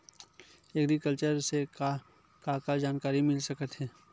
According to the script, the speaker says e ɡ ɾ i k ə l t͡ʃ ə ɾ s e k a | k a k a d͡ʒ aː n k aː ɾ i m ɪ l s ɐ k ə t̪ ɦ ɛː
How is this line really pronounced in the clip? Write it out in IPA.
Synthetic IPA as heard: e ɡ ɾ i k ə l t͡ʃ ə ɾ s e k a | k a k a d͡ʒ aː n k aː ɾ i m ɪ l s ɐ k ə t̪ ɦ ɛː